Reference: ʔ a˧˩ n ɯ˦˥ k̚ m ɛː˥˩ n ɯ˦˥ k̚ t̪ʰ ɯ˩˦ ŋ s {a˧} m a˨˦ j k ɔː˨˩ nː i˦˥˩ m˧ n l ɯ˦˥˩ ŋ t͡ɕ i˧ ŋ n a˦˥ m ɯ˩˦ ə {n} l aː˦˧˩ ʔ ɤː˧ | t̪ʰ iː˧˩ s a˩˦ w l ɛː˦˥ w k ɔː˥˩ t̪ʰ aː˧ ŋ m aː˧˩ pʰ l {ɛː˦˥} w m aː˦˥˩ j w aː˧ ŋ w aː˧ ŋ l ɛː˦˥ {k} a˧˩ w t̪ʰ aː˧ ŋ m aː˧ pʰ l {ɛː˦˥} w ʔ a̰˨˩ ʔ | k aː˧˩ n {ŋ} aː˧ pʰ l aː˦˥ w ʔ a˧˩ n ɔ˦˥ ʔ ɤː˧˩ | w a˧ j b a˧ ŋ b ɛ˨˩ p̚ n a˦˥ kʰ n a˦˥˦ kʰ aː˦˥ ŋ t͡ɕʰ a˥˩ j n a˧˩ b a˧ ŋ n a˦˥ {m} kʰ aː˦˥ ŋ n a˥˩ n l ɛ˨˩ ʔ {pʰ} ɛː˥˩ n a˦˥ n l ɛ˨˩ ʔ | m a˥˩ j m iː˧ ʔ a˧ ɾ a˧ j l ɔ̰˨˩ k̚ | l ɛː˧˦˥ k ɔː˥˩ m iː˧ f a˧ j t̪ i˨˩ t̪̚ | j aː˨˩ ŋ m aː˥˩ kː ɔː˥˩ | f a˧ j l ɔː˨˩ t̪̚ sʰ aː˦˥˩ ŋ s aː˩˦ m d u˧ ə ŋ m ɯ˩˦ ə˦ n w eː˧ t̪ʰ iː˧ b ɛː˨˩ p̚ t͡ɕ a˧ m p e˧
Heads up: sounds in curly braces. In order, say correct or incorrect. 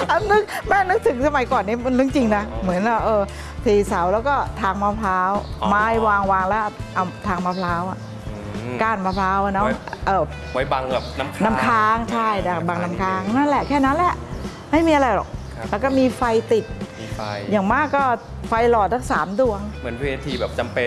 correct, correct, incorrect, incorrect, incorrect, incorrect, correct, incorrect

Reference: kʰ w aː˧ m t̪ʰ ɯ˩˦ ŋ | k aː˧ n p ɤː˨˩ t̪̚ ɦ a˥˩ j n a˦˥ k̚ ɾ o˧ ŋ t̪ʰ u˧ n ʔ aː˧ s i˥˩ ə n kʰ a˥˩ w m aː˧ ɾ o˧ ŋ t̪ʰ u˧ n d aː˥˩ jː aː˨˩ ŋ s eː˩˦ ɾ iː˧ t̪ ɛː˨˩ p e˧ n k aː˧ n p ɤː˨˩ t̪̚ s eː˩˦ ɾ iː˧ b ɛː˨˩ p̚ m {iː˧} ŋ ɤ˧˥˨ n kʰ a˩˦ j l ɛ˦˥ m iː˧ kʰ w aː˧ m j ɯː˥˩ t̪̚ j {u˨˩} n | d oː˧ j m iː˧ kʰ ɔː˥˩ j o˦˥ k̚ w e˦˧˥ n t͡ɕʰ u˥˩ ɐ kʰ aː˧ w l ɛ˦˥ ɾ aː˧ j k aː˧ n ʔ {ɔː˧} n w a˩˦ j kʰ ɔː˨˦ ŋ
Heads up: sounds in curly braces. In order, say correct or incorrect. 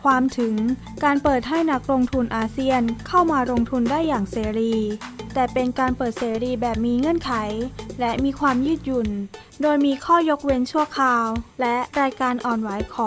correct, correct, incorrect

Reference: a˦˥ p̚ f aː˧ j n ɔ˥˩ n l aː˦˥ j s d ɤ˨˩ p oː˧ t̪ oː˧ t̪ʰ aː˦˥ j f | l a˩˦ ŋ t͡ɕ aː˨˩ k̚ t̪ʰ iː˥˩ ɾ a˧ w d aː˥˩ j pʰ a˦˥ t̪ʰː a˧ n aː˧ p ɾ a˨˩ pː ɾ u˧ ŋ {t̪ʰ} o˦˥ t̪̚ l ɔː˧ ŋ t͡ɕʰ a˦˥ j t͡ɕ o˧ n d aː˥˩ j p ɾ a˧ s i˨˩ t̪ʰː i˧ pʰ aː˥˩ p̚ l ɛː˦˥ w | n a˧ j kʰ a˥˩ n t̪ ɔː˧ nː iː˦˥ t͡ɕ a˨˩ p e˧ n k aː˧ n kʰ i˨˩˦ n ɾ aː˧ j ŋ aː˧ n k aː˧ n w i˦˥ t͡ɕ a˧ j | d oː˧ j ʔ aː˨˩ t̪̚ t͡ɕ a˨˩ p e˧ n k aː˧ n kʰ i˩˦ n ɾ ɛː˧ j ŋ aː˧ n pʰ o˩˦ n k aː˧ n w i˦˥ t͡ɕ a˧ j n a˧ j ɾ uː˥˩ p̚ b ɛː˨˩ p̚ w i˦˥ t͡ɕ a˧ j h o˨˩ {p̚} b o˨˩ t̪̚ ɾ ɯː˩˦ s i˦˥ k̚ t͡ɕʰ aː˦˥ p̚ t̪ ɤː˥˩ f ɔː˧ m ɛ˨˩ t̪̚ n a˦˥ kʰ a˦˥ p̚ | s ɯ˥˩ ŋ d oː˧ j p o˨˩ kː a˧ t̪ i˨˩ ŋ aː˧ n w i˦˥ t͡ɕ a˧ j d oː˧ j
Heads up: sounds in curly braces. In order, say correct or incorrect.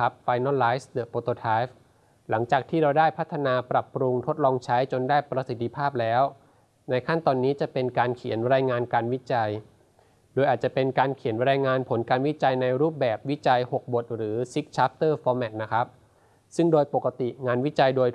correct, incorrect

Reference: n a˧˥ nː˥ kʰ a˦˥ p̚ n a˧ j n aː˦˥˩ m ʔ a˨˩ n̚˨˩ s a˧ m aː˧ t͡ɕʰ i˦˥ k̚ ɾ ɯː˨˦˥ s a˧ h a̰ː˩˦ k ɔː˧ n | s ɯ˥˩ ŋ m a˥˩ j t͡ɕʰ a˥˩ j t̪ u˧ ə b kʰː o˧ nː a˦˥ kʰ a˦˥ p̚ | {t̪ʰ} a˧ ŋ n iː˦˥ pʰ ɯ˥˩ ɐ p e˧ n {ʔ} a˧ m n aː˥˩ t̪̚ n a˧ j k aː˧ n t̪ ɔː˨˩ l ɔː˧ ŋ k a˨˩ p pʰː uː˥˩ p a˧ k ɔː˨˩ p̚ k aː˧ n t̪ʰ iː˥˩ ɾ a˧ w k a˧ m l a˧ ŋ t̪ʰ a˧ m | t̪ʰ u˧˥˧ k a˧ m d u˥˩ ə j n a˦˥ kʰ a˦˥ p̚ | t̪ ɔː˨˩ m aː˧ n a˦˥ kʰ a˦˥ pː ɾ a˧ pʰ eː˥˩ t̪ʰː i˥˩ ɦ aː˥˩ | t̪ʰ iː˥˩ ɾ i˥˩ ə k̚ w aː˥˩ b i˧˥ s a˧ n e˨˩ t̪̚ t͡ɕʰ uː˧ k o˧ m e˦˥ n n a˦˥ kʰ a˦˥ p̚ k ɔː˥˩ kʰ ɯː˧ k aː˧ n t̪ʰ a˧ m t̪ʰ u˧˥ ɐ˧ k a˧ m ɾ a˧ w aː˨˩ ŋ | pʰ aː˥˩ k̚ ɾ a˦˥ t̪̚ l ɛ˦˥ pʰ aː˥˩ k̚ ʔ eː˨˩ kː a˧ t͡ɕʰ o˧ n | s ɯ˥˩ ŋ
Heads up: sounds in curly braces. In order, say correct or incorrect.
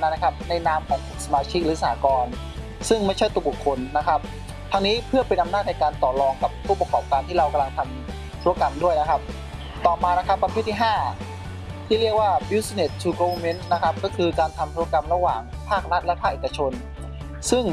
correct, correct

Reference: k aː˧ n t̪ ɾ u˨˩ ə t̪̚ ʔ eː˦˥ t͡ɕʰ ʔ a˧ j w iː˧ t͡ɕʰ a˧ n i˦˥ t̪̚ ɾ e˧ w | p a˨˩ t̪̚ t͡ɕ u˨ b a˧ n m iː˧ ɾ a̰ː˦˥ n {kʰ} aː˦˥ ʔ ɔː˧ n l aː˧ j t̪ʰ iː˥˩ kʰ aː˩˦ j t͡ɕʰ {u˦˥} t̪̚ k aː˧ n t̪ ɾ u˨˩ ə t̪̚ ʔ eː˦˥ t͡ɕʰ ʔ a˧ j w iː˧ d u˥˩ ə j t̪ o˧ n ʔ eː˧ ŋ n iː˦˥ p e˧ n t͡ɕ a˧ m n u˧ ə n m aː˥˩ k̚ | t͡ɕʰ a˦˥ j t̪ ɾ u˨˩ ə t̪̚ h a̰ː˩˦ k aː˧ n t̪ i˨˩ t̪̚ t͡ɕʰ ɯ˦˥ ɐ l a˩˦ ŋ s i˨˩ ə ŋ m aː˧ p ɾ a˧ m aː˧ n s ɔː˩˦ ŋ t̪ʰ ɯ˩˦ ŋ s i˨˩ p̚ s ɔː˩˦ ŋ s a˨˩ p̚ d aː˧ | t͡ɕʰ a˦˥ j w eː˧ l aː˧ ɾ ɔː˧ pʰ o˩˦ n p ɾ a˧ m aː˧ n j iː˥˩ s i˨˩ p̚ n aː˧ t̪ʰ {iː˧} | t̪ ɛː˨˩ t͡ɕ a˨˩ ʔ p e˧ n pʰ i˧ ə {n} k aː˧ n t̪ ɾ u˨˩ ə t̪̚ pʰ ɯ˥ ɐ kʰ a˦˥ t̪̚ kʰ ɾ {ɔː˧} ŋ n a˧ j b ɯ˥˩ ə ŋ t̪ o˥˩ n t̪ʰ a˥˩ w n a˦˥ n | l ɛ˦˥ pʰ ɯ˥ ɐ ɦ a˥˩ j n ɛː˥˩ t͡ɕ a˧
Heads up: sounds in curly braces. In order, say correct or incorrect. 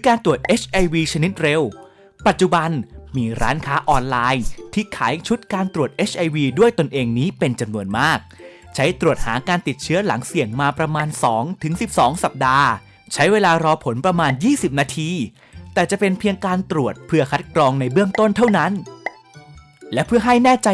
correct, correct, correct, incorrect, correct

